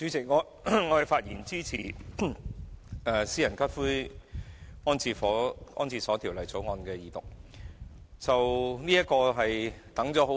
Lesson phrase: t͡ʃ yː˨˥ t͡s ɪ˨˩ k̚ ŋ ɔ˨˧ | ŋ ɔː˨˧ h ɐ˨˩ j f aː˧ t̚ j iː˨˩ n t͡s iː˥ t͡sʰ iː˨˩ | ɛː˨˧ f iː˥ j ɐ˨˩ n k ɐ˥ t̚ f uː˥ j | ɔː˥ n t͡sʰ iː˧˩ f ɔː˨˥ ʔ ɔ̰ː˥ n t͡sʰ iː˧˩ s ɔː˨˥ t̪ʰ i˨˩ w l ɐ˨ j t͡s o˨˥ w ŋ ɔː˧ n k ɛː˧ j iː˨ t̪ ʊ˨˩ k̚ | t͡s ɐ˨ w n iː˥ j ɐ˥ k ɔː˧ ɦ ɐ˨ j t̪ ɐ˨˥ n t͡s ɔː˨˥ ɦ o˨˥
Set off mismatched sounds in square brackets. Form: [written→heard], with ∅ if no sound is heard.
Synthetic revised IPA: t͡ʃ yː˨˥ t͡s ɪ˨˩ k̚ ŋ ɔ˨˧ | ŋ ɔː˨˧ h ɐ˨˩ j f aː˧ t̚ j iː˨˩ n t͡s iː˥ t͡sʰ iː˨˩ | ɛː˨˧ [f→s] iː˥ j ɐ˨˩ n k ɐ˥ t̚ f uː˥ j | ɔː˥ n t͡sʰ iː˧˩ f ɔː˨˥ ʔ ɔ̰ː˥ n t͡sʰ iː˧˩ s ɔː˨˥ t̪ʰ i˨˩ w l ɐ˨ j t͡s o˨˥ w ŋ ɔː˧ n k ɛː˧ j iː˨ t̪ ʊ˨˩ k̚ | t͡s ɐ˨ w n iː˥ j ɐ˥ k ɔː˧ ɦ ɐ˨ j t̪ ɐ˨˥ [n→ŋ] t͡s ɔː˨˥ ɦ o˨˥